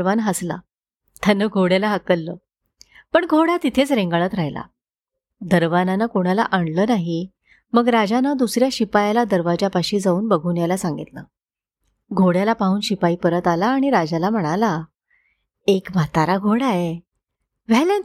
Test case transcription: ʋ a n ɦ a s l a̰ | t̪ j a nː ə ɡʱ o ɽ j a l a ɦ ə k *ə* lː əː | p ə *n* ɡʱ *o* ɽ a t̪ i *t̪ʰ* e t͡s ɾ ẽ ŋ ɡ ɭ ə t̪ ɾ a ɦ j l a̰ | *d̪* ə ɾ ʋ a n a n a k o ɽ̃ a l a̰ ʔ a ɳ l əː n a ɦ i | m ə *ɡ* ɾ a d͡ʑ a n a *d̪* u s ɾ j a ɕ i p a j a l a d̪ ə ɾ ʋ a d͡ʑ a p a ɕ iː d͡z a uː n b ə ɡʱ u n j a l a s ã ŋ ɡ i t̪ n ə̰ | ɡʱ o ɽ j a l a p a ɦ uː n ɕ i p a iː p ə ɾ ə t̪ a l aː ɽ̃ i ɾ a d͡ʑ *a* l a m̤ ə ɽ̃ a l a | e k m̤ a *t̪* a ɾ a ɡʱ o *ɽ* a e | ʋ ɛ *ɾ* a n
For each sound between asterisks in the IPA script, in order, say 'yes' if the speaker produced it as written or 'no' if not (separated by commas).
yes, no, yes, yes, yes, yes, yes, yes, yes, yes, no